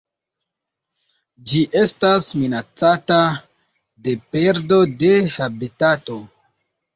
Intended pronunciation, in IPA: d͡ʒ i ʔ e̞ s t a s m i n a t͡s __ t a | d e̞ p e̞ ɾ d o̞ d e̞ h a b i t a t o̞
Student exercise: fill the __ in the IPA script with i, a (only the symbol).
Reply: a